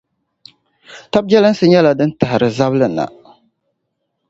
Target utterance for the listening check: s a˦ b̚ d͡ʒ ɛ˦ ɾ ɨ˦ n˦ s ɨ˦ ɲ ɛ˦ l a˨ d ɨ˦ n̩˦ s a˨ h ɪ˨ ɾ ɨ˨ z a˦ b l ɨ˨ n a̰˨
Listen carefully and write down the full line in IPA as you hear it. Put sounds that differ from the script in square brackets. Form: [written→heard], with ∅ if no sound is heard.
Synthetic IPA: [s→t] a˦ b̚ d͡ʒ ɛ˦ [ɾ→l] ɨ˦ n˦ s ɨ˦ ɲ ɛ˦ l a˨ d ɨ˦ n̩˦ [s→t] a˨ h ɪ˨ ɾ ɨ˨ z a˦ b l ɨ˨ n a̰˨